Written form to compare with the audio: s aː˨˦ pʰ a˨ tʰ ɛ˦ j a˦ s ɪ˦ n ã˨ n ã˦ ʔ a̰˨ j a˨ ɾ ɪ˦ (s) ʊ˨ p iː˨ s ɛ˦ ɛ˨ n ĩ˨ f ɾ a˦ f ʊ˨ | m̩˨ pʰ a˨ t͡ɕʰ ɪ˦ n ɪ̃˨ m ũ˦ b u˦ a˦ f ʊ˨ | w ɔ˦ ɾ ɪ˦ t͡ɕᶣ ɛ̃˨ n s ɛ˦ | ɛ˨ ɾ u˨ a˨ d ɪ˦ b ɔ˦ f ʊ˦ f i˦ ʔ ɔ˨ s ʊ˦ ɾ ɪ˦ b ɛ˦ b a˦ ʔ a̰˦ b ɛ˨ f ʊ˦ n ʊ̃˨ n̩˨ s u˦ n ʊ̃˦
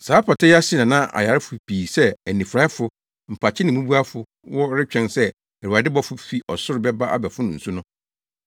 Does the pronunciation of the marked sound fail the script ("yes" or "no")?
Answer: yes